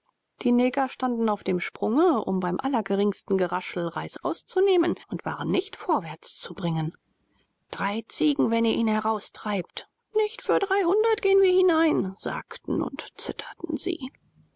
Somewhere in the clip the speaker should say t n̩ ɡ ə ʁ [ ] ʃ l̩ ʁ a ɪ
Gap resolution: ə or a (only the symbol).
a